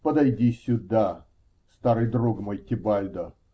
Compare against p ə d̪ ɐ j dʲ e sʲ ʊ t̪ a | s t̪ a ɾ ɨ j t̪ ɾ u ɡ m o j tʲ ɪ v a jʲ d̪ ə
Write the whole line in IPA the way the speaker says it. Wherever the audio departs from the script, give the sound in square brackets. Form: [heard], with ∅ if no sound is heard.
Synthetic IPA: p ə d̪ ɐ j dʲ [i] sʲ ʊ [d̪] a | s t̪ a ɾ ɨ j [d̪] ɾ u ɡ m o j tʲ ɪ [b] a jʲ d̪ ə